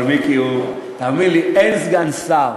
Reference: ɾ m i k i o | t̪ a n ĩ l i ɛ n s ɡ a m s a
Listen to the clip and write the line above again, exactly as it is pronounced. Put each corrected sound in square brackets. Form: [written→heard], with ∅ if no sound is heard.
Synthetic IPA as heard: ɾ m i k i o | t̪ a [n→m] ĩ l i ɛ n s ɡ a [m→n] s a